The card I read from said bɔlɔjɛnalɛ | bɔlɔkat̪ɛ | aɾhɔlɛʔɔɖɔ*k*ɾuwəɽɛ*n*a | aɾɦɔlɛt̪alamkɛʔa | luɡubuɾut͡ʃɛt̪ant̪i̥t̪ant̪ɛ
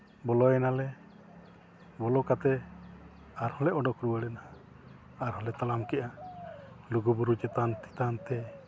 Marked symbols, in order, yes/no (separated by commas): yes, yes